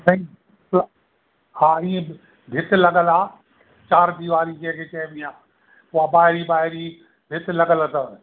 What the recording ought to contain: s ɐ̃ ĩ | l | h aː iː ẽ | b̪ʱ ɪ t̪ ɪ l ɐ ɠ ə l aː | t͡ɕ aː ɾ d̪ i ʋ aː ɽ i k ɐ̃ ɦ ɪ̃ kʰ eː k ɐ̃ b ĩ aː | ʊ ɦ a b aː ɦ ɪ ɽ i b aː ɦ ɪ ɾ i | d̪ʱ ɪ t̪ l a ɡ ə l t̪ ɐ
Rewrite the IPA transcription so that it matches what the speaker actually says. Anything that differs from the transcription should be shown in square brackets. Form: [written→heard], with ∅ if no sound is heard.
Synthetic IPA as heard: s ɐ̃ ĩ | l | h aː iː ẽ | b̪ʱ ɪ t̪ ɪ l ɐ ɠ ə l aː | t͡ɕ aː ɾ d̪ i ʋ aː [ɽ→ɾ] i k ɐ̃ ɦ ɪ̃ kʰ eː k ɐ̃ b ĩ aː | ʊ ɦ a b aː ɦ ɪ [ɽ→ɾ] i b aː ɦ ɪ ɾ i | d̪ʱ ɪ t̪ l [a→ɐ] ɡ ə l t̪ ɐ

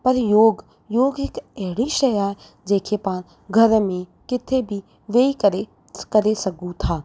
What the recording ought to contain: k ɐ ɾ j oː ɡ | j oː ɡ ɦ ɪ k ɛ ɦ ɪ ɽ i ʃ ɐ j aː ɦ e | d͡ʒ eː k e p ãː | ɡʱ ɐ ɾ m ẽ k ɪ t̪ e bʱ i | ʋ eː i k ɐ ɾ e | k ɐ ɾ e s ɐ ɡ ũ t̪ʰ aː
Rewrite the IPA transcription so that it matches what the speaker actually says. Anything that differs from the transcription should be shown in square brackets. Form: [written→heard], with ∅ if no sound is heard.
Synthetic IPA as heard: [k→p] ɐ ɾ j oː ɡ | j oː ɡ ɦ ɪ k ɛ ɦ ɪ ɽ i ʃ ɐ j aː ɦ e | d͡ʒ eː [k→kʰ] e p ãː | ɡʱ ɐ ɾ m ẽ k ɪ [t̪→t̪ʰ] e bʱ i | ʋ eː i k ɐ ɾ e | k ɐ ɾ e s ɐ ɡ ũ t̪ʰ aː

